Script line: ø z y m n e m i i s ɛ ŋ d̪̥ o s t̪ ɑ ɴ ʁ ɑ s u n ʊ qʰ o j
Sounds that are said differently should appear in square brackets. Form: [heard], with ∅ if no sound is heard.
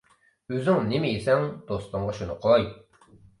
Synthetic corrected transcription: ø z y [ŋ] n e m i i s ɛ ŋ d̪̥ o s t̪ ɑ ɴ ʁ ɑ [ʃ] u n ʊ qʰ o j